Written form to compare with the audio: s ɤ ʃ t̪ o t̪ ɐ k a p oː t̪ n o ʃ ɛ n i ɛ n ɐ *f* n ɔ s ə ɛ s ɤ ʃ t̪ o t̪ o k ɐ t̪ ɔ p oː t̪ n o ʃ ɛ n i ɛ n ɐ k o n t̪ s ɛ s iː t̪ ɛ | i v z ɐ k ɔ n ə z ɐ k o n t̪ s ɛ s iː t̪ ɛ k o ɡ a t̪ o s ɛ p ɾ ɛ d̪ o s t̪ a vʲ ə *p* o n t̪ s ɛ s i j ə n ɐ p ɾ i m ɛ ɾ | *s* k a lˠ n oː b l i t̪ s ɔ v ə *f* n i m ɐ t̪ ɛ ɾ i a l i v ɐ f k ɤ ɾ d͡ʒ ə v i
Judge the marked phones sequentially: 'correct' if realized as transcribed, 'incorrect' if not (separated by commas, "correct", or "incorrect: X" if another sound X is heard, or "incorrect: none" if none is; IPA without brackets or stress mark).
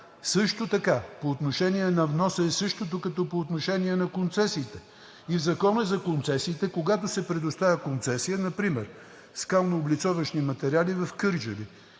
incorrect: v, incorrect: k, correct, incorrect: ʃ